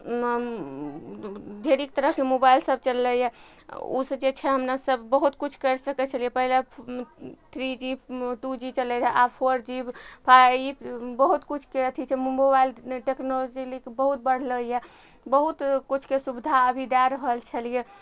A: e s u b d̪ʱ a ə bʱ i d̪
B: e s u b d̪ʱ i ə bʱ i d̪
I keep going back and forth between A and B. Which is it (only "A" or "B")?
A